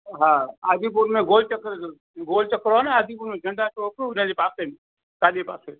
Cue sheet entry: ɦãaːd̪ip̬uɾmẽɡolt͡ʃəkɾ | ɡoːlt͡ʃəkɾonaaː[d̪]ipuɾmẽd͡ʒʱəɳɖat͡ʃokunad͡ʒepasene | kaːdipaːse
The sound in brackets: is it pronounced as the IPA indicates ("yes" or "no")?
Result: yes